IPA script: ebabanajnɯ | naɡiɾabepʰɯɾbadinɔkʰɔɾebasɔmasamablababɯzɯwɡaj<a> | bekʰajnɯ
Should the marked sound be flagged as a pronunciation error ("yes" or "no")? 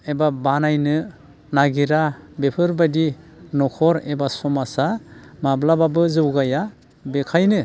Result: no